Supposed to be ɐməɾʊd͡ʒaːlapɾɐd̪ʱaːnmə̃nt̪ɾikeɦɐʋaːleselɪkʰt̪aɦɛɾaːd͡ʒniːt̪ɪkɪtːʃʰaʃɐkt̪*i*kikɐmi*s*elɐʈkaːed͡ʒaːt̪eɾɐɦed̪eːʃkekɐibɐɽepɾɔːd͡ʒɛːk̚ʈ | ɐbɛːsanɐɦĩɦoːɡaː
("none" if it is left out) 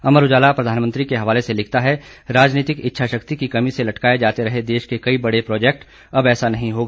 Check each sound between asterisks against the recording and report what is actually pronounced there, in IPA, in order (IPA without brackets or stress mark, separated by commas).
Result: i, s